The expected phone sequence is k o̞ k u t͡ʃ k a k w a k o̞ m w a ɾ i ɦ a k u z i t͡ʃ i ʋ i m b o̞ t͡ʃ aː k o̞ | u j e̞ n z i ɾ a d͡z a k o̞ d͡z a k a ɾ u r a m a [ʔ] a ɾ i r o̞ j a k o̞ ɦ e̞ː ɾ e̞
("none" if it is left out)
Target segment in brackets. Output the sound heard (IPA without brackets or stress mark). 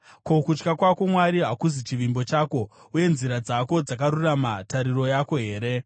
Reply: t